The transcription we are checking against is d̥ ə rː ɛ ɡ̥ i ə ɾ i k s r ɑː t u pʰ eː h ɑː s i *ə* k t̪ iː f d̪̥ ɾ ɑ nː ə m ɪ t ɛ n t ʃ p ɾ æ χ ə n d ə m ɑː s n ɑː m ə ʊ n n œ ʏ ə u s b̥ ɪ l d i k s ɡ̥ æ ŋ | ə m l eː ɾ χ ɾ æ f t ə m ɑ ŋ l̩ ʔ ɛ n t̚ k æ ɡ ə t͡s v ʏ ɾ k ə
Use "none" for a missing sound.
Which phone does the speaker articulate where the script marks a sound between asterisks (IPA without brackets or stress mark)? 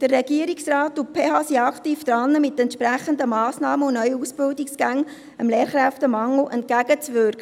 ɑ